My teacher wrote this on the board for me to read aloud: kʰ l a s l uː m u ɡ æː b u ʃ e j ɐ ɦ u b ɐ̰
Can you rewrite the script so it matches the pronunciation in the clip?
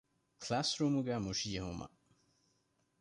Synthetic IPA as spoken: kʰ l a s ɾ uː m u ɡ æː m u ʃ i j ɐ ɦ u m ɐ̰